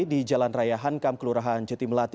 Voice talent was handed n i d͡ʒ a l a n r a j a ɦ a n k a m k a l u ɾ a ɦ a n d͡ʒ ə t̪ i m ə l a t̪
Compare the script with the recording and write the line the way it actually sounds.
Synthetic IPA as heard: d i d͡ʒ a l a n r a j a ɦ a n k a m k ə l u ɾ a ɦ a n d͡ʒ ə t̪ i m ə l a t̪